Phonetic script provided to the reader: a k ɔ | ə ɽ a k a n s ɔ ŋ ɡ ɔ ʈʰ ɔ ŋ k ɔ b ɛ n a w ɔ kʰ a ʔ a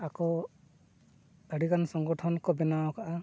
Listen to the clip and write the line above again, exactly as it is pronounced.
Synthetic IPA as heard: a k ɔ | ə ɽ i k a n s ɔ ŋ ɡ ɔ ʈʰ ɔ n k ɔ b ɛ n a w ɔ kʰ a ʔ a